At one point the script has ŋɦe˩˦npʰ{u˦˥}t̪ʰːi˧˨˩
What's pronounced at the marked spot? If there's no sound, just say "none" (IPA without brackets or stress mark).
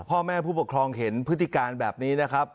ɯ˦˥